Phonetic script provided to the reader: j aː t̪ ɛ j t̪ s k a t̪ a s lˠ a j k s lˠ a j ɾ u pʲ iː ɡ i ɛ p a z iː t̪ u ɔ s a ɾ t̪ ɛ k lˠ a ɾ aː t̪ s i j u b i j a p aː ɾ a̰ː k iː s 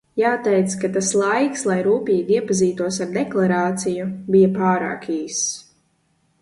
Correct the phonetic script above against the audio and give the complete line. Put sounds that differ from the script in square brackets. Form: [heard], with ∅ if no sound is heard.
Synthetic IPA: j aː t̪ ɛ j t̪ s k a t̪ a s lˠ a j k s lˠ a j ɾ [uː] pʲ iː ɡ i ɛ p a z iː t̪ u ɔ s a ɾ [d̪] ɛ k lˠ a ɾ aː t̪ s i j u b i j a p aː ɾ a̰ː k iː s